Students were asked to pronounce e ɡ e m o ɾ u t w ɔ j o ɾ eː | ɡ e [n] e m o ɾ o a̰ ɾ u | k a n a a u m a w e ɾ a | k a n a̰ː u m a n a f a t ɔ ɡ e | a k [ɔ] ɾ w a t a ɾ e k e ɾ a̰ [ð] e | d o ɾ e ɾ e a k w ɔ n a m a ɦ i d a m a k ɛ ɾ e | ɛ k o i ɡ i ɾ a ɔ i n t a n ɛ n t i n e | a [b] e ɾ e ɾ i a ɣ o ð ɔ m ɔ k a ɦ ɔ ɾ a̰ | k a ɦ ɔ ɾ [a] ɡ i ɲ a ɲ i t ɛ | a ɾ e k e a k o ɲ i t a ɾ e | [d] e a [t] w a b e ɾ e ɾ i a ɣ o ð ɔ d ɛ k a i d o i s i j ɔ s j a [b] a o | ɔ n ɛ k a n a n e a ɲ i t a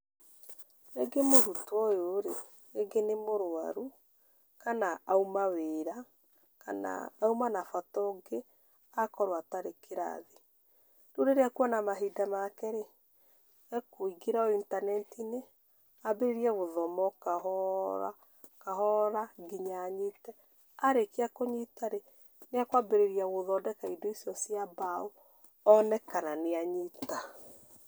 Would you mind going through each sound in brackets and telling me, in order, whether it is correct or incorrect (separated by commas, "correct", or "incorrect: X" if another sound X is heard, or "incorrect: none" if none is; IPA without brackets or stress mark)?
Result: correct, correct, correct, correct, correct, incorrect: n, incorrect: k, correct